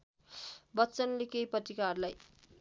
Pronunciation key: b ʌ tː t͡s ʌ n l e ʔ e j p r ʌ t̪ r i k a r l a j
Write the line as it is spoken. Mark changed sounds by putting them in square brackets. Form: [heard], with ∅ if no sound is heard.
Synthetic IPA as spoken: b ʌ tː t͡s ʌ n l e [k] e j p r ʌ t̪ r i k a r l a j